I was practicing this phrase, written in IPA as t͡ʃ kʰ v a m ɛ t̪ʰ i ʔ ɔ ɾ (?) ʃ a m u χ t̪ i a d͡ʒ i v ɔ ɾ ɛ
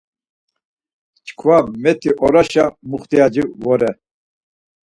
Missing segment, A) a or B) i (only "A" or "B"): A